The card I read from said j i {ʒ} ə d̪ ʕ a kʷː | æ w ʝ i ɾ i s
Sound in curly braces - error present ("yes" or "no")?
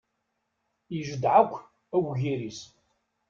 no